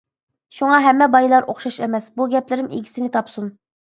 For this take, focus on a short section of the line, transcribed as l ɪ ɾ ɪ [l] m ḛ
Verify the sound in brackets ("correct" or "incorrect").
incorrect